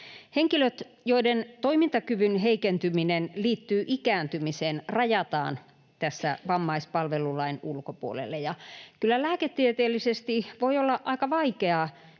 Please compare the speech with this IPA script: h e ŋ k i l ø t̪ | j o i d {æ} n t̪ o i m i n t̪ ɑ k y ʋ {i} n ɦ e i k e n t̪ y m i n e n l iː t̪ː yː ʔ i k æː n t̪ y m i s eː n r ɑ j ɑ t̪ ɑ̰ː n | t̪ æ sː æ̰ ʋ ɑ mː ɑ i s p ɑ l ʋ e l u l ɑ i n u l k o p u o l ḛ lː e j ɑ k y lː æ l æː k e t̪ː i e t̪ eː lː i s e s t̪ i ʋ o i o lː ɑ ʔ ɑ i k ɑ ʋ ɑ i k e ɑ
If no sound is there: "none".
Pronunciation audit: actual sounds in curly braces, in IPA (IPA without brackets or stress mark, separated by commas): e, y